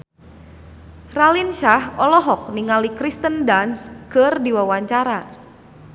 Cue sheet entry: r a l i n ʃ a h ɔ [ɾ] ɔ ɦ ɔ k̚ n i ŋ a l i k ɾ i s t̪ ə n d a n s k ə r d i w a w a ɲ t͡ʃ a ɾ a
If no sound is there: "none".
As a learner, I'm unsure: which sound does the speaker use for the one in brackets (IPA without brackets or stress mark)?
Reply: l